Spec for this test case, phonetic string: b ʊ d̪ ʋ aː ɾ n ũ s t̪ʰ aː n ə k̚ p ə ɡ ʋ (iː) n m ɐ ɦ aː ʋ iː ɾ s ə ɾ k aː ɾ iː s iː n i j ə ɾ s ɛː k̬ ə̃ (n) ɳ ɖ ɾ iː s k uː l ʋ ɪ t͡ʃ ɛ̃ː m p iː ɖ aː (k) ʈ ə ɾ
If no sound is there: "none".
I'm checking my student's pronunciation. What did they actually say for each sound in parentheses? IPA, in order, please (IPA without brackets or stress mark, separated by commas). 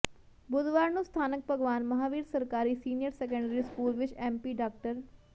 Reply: aː, none, k